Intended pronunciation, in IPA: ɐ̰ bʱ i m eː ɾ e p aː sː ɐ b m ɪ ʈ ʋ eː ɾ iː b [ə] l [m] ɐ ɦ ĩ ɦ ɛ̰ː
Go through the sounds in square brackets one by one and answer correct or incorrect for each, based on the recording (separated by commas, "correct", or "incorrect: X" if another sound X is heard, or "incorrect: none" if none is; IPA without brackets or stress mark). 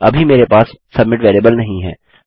correct, incorrect: n